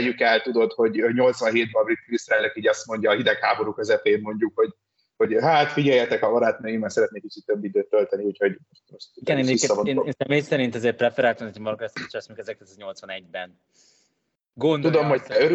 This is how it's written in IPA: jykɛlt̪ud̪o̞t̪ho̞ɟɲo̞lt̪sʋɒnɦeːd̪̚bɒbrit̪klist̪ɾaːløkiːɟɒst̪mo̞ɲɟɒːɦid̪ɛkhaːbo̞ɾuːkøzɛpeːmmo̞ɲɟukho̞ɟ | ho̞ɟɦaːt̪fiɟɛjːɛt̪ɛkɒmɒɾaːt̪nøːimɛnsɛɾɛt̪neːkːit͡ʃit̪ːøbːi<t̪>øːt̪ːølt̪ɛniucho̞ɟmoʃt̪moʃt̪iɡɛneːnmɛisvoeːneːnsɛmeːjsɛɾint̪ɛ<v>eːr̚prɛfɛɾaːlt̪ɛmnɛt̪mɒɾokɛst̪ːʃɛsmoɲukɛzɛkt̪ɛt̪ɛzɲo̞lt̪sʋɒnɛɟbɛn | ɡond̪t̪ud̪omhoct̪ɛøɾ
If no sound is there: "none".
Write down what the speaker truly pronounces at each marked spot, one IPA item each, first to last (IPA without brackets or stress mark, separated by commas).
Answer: d̪, z